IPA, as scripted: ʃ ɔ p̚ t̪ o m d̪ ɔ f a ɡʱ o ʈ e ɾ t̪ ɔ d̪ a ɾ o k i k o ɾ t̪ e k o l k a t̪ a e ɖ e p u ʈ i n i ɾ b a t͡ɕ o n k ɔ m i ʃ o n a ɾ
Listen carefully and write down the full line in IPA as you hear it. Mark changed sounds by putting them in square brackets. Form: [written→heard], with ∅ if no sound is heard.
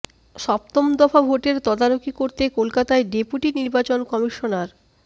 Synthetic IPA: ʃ ɔ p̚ t̪ o m d̪ ɔ f a [ɡʱ→bʱ] o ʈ e ɾ t̪ ɔ d̪ a ɾ o k i k o ɾ t̪ e k o l k a t̪ a e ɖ e p u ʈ i n i ɾ b a t͡ɕ o n k ɔ m i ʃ o n a ɾ